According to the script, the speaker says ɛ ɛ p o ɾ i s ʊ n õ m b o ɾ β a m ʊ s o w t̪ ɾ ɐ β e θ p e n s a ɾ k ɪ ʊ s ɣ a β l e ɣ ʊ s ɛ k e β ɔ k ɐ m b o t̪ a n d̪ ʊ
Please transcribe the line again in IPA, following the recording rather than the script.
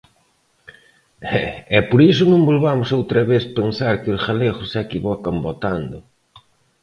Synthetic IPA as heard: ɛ ɛ p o ɾ i s ʊ n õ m b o l β a m ʊ s o w t̪ ɾ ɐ β e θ p e n s a ɾ k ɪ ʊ s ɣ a l e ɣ ʊ s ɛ k i β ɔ k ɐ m b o t̪ a n d̪ ʊ